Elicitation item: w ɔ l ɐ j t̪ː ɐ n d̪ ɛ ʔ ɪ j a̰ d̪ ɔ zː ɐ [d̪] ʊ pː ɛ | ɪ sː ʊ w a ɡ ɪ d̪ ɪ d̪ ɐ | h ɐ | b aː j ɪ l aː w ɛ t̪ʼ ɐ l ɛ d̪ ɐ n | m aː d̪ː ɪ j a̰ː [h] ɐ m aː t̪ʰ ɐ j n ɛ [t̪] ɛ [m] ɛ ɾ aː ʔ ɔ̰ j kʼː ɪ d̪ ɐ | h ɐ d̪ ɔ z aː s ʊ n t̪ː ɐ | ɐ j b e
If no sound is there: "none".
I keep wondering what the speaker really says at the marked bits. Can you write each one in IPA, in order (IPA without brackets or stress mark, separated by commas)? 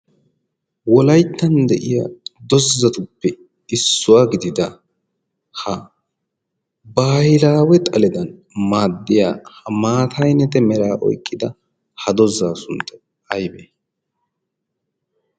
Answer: t̪, h, t̪, m